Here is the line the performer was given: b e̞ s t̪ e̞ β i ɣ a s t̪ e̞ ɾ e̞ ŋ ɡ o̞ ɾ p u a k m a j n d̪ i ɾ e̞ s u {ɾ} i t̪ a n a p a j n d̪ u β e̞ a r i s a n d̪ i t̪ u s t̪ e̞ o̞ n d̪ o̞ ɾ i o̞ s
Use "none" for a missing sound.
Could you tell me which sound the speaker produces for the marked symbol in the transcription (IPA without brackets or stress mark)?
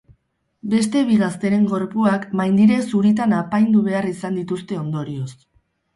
ɾ